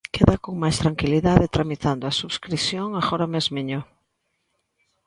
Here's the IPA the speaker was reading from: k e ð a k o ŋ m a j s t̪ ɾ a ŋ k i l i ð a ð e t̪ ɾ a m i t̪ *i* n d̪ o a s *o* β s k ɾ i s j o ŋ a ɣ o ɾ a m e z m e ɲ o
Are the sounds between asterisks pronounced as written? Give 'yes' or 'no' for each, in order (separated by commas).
no, no